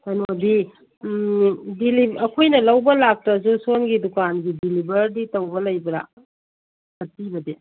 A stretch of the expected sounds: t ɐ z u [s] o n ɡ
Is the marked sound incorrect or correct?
correct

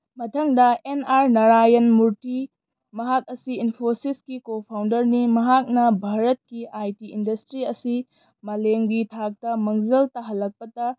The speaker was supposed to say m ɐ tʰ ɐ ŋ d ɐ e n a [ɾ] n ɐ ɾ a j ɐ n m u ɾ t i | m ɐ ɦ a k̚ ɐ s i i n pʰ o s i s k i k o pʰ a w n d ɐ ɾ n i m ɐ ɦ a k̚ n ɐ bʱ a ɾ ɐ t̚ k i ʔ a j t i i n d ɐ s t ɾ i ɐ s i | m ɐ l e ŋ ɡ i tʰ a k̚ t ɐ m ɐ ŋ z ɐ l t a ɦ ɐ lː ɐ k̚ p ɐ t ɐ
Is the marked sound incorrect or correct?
correct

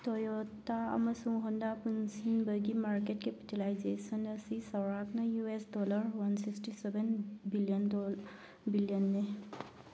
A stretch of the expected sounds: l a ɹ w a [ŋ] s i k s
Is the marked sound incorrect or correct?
incorrect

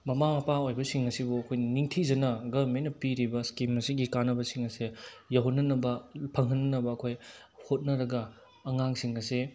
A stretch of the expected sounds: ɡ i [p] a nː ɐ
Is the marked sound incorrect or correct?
incorrect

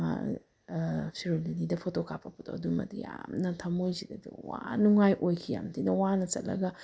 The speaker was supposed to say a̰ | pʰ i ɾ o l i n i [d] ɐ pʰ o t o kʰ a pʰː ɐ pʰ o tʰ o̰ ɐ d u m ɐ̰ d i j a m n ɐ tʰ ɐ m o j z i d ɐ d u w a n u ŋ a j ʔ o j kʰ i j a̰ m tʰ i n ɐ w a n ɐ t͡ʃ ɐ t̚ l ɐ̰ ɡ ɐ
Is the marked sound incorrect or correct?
correct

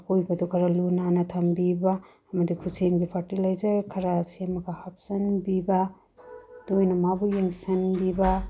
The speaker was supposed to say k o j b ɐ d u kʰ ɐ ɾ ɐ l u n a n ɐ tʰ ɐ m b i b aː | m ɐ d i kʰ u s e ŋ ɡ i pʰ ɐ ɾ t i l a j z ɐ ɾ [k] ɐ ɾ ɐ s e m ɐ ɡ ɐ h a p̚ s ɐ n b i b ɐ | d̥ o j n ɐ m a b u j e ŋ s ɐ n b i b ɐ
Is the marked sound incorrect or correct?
incorrect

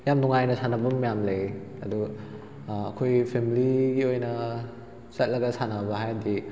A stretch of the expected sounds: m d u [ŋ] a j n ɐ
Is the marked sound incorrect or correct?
correct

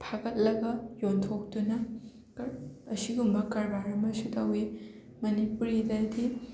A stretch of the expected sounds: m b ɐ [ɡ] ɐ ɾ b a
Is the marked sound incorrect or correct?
incorrect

